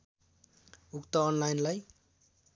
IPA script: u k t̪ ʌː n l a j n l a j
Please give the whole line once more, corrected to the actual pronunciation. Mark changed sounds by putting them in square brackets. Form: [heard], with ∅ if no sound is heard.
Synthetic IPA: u k t̪ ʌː n l a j n l a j